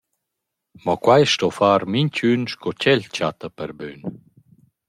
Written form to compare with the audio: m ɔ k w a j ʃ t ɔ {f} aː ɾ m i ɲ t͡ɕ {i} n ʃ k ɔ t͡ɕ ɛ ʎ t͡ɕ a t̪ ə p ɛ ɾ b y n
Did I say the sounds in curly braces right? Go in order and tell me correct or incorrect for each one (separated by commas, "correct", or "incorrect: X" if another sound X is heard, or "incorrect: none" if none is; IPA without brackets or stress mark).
correct, incorrect: y